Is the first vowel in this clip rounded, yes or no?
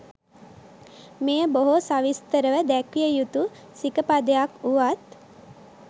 no